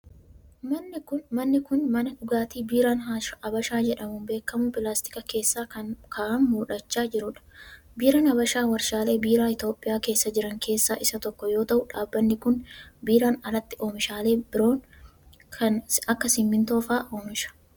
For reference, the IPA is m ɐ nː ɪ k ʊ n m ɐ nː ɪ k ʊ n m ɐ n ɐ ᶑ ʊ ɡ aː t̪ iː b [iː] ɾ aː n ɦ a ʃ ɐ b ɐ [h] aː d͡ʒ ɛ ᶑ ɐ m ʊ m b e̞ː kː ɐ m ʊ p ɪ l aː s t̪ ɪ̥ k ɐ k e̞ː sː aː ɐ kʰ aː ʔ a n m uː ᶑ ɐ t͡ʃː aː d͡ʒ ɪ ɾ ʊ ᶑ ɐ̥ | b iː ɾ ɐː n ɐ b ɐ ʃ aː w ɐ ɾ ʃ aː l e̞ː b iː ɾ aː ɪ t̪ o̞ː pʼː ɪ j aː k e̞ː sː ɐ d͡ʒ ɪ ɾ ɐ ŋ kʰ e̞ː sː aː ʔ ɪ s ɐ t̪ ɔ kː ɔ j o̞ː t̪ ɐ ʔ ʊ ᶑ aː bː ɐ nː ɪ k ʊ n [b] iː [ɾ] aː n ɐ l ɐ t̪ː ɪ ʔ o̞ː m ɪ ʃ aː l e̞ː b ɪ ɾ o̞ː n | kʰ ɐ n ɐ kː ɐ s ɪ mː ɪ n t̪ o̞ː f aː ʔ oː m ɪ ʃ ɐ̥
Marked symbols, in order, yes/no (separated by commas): yes, no, yes, yes